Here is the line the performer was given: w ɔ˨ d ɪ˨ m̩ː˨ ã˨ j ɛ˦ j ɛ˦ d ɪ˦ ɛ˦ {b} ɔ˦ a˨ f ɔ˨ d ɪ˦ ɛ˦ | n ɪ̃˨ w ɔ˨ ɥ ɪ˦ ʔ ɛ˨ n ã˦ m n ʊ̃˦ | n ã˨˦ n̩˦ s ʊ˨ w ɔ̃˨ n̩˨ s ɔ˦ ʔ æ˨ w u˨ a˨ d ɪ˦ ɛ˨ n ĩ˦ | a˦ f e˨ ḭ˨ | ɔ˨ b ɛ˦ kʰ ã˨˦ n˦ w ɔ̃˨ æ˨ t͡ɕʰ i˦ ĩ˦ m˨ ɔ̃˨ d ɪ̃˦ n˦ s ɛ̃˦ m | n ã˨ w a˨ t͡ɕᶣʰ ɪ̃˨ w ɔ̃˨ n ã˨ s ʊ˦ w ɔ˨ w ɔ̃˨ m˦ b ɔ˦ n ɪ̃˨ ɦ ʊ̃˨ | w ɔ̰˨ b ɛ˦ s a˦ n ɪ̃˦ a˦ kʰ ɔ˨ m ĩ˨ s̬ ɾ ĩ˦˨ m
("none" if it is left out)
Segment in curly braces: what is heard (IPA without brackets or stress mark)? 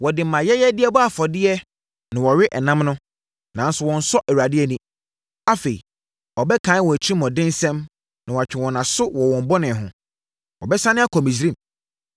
b